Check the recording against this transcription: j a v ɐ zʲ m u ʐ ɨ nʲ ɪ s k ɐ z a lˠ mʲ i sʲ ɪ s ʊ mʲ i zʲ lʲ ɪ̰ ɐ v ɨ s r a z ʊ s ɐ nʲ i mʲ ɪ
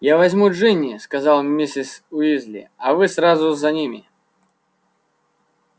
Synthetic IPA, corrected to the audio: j a v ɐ zʲ m u ʐ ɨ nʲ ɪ s k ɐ z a lˠ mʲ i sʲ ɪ s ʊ i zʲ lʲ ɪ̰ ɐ v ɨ s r a z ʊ z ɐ nʲ i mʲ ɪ